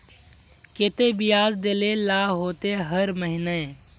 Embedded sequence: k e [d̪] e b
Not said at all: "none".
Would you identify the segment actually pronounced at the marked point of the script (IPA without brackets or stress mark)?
t̪